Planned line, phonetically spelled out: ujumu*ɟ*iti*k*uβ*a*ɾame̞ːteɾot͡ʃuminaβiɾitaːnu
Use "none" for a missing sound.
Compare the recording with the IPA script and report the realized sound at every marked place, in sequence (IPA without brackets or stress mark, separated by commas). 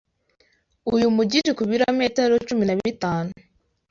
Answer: ɟ, k, i